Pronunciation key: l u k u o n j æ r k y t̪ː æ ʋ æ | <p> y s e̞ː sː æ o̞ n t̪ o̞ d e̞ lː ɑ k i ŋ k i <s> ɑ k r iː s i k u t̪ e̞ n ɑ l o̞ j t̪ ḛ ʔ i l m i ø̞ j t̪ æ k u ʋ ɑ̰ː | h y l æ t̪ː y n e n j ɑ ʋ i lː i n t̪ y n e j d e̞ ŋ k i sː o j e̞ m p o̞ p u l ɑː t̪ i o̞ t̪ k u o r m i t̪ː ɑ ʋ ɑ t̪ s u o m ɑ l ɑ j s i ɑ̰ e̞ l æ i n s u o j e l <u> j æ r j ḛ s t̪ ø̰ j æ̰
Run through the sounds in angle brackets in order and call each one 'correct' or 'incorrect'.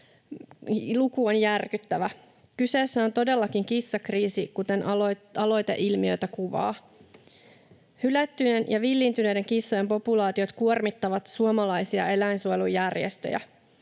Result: incorrect: k, incorrect: sː, correct

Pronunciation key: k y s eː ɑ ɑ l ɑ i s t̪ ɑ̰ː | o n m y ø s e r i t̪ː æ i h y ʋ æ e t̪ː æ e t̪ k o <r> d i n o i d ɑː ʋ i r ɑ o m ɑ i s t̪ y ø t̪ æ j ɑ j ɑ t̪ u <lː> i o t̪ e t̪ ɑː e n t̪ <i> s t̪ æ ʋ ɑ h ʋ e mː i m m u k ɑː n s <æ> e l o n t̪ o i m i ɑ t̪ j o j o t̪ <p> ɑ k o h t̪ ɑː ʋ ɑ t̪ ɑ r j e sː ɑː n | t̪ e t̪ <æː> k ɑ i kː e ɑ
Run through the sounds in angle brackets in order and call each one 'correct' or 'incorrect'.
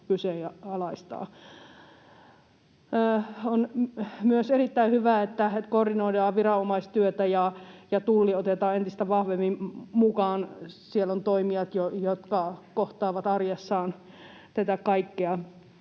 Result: correct, correct, correct, incorrect: i, incorrect: k, incorrect: æ

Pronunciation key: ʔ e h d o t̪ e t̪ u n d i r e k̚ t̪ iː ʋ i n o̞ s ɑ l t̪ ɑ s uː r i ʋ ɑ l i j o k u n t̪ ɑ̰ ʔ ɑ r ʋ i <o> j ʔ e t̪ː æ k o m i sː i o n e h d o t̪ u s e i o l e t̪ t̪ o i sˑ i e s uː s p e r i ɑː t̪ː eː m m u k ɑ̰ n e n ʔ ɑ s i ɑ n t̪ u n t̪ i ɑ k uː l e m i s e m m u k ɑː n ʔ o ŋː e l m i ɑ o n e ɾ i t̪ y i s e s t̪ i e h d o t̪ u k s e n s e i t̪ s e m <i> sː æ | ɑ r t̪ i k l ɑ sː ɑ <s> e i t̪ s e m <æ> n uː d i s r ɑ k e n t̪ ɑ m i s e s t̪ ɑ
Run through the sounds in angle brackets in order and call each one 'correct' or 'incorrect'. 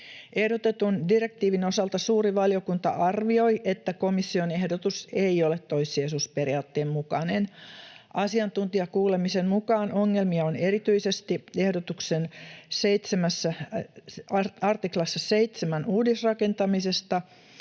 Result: correct, incorrect: æ, correct, correct

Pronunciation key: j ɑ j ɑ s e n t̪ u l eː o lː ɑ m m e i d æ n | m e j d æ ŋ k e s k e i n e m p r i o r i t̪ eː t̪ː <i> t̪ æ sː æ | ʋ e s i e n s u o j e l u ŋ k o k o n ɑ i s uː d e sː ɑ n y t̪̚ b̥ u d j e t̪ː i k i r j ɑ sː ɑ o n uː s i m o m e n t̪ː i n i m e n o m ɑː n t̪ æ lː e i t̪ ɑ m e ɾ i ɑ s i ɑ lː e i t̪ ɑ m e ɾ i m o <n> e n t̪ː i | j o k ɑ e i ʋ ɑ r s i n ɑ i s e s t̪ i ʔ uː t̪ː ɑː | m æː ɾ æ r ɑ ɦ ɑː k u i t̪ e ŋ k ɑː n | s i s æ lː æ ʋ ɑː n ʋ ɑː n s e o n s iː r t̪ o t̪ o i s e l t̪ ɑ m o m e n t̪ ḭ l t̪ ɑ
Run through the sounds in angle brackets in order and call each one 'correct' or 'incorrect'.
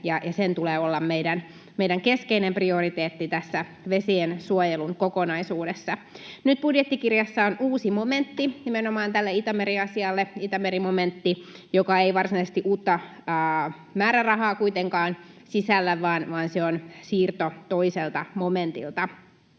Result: correct, incorrect: m

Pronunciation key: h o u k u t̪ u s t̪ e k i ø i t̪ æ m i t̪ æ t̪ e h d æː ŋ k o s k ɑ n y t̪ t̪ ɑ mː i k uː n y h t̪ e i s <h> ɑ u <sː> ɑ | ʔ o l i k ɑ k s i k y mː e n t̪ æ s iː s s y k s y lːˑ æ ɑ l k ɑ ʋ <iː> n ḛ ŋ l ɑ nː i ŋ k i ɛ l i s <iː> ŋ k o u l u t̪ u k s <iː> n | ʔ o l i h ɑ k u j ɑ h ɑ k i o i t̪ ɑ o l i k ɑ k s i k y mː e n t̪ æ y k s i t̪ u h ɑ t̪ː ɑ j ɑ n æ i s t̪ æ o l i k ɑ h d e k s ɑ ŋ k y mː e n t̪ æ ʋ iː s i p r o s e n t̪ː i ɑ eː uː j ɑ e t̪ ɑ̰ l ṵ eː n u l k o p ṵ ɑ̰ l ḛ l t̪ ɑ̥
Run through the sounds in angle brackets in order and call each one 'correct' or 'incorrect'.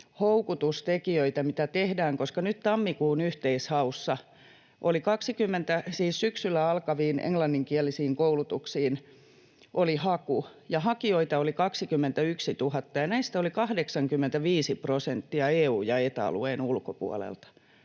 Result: correct, correct, correct, correct, correct

